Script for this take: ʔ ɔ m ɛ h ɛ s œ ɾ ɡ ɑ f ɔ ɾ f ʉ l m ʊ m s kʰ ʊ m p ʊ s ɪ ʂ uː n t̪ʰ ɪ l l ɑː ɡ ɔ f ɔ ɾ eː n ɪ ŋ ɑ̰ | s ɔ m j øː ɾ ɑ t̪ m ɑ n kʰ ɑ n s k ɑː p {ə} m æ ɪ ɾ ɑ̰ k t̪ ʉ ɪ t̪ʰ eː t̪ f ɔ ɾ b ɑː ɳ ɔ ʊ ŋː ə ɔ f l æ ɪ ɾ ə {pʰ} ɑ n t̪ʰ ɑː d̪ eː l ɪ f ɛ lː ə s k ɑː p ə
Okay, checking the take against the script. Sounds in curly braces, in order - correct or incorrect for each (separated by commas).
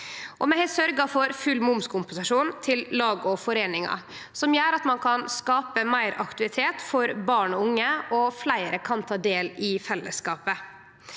correct, incorrect